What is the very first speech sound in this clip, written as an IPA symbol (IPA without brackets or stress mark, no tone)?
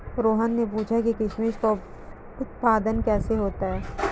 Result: ɾ